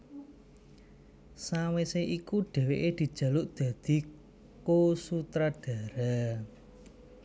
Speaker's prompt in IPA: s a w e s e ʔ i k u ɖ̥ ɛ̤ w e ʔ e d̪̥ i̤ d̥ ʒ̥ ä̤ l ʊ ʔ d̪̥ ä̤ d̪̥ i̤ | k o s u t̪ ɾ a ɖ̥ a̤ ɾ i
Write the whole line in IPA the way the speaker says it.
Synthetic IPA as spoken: s a w e s e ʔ i k u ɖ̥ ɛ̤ w e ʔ e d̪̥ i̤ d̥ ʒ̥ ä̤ l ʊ ʔ d̪̥ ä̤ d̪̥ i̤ | k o s u t̪ ɾ a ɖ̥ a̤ ɾ a